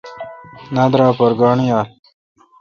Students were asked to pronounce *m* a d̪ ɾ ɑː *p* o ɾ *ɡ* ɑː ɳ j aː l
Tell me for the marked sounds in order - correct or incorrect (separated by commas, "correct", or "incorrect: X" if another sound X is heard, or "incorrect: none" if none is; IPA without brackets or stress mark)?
incorrect: n, correct, correct